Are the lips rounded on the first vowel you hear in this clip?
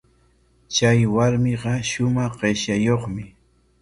no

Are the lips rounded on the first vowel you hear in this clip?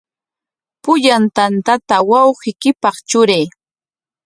yes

